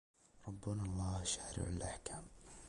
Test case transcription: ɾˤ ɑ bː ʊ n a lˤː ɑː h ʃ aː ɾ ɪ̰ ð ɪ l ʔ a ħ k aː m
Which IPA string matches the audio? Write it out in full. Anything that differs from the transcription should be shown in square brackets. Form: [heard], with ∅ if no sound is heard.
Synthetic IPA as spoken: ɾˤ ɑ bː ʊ n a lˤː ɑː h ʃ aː ɾ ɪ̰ [ʕ] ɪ l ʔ a ħ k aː m